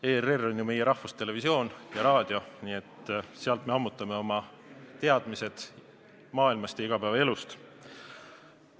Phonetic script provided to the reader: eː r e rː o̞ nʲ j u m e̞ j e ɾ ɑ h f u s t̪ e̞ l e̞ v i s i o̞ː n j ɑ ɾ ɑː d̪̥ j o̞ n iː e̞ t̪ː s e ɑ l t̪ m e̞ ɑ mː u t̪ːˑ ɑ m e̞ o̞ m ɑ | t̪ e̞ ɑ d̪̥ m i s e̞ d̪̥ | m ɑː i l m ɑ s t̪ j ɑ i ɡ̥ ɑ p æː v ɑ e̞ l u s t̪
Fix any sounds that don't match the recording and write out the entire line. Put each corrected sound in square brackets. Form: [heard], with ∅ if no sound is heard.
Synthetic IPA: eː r e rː o̞ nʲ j u m e̞ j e ɾ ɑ h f u s t̪ e̞ l e̞ v i s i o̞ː n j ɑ ɾ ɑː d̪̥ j o̞ n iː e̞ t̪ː s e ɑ l t̪ m e̞ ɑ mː u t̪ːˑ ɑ m e̞ o̞ m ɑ | t̪ e̞ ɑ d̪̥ m i s e̞ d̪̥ | m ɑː i l m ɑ s t̪ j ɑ i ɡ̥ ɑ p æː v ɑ e̞ l u s t̪